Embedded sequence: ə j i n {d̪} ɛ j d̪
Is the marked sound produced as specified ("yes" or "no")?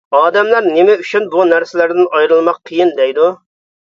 yes